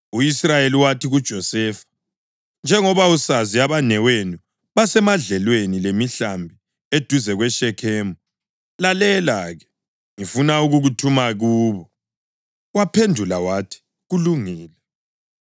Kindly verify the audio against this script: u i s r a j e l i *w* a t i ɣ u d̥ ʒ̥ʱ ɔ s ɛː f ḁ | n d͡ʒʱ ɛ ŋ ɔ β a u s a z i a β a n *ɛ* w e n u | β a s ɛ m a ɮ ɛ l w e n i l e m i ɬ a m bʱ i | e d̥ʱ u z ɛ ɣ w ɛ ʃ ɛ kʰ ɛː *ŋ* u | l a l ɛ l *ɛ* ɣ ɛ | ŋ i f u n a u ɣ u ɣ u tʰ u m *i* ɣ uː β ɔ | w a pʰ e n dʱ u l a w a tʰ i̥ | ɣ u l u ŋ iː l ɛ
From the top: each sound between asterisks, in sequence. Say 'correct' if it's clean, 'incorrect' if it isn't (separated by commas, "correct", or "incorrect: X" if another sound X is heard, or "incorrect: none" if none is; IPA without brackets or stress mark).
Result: correct, correct, incorrect: m, incorrect: a, incorrect: a